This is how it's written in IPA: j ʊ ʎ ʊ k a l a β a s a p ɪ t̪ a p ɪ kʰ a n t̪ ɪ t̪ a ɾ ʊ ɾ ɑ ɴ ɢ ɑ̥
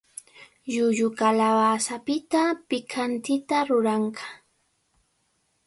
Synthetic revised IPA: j ʊ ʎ ʊ k a l a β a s a p ɪ t̪ a p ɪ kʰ a n t̪ ɪ t̪ a ɾ ʊ ɾ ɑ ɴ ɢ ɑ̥